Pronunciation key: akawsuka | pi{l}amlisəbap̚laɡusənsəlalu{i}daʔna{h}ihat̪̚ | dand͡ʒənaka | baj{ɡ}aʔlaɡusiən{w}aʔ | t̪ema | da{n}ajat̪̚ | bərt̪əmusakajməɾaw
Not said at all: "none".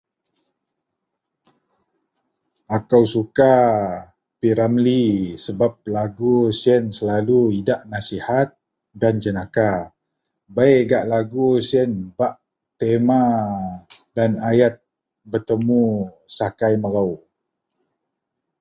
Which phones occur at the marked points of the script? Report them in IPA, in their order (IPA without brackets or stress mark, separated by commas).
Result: ɾ, i, s, ɡ, b, n